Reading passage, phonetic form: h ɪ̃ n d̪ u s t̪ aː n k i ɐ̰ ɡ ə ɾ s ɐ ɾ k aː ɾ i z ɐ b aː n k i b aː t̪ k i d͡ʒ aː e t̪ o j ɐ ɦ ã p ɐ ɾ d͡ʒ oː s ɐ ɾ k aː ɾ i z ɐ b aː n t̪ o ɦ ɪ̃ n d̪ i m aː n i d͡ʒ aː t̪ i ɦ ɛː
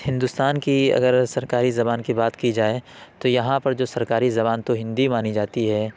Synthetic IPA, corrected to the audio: h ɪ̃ n d̪ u s t̪ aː n k i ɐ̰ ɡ ə ɾ s ɐ ɾ k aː ɾ i z ɐ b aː n k i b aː t̪ k i d͡ʒ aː e t̪ o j ɐ ɦ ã p ɐ ɾ d͡ʒ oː s ɐ ɾ k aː ɾ i z ɐ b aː n t̪ o ɦ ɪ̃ n d̪ i m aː n i d͡ʒ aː t̪ i ɦ ɛː